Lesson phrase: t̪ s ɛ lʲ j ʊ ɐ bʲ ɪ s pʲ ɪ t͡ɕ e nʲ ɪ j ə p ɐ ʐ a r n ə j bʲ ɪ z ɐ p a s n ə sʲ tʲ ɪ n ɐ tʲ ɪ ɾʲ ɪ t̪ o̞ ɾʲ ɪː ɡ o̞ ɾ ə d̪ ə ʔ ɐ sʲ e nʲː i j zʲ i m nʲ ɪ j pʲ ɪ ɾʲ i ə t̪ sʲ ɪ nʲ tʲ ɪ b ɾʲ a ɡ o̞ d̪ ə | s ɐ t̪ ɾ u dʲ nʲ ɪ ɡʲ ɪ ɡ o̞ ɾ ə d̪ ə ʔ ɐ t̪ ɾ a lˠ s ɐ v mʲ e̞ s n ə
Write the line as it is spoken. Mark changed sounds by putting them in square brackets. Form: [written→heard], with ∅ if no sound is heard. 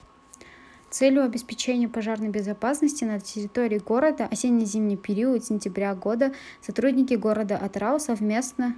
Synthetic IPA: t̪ s ɛ lʲ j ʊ ɐ bʲ ɪ s pʲ ɪ t͡ɕ e nʲ ɪ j ə p ɐ ʐ a r n ə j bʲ ɪ z ɐ p a s n ə sʲ tʲ ɪ n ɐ tʲ ɪ ɾʲ ɪ t̪ o̞ ɾʲ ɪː ɡ o̞ ɾ ə d̪ ə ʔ ɐ sʲ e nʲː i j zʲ i m nʲ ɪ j pʲ ɪ ɾʲ i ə t̪ sʲ ɪ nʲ tʲ ɪ b ɾʲ a ɡ o̞ d̪ ə | s ɐ t̪ ɾ u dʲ nʲ ɪ [ɡʲ→kʲ] ɪ ɡ o̞ ɾ ə d̪ ə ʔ ɐ t̪ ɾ a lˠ s ɐ v mʲ e̞ s n ə